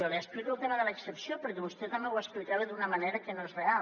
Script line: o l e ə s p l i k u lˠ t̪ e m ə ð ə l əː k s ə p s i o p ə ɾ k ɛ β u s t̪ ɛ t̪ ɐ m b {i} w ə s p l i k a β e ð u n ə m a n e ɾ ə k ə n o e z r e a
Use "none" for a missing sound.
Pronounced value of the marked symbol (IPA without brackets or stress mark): e